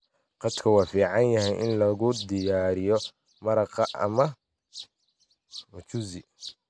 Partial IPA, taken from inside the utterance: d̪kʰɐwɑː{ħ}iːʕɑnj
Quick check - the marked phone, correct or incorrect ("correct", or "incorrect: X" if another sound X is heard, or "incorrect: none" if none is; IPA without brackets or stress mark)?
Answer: incorrect: f